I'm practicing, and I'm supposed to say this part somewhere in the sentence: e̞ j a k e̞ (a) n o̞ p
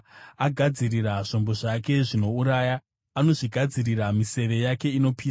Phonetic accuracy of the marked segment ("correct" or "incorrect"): incorrect